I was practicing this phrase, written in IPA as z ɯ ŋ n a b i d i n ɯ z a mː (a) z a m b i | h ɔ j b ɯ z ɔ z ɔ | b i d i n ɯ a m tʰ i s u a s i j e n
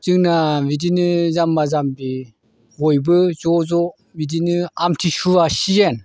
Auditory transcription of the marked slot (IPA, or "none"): a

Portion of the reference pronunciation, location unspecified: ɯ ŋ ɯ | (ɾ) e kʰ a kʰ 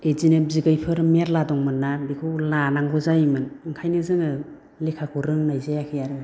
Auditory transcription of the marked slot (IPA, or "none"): l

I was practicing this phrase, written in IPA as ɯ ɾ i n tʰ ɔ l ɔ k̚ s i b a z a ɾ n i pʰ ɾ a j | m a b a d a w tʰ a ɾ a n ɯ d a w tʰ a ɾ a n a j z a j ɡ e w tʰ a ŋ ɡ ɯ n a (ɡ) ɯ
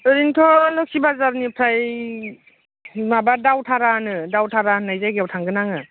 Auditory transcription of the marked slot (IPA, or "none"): ŋ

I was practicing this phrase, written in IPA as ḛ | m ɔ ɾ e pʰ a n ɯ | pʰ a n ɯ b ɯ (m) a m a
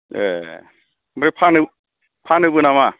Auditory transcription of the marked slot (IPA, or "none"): n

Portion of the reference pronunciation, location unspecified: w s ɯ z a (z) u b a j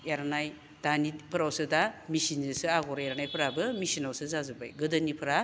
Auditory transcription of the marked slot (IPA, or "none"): z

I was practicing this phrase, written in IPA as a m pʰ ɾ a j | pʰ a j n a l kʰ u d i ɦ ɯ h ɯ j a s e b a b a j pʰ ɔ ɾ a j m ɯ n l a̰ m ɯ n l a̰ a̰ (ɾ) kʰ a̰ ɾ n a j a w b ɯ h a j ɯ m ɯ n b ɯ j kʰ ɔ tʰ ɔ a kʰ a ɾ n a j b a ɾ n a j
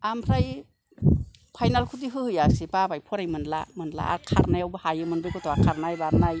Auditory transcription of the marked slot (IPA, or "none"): ɾ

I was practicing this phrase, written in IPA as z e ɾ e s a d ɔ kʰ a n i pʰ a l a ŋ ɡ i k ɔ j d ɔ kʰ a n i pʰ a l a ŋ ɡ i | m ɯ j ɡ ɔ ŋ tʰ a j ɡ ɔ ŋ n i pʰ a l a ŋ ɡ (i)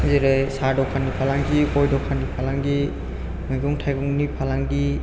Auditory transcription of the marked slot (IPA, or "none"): i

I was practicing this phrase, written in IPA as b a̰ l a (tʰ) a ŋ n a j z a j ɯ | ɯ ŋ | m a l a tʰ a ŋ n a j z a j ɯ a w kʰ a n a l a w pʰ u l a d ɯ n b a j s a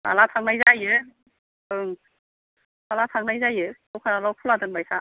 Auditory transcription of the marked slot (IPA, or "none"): tʰ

